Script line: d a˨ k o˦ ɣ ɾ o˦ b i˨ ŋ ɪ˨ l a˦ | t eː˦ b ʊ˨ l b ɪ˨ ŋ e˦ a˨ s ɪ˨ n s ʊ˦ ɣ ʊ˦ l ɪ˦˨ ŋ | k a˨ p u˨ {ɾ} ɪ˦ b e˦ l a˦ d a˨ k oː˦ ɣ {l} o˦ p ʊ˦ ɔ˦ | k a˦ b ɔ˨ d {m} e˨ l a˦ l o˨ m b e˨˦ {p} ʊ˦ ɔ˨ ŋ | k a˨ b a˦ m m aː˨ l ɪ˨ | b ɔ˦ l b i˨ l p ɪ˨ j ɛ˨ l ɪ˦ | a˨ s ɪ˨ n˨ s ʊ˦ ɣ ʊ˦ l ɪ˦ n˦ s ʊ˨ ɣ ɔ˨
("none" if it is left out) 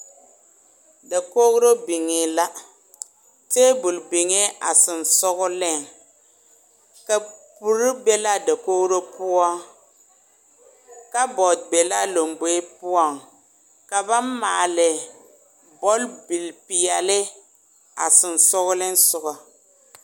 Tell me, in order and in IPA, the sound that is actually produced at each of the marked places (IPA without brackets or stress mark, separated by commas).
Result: ɾ, ɾ, b, p